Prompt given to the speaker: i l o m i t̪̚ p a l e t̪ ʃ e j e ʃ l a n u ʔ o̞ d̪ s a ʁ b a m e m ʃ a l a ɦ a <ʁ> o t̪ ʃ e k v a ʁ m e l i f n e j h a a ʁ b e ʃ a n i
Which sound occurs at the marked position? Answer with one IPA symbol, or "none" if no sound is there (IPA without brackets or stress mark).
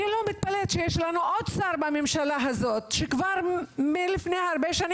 z